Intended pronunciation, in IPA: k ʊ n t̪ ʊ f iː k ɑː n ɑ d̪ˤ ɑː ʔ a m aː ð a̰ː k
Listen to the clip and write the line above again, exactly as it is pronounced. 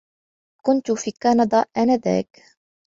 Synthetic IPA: k ʊ n t̪ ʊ f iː k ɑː n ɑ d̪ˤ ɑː ʔ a n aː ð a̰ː k